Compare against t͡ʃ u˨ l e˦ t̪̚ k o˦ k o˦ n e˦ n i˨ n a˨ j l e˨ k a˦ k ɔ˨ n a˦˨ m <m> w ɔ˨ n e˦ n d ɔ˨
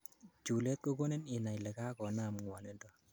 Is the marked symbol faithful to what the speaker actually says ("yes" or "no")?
no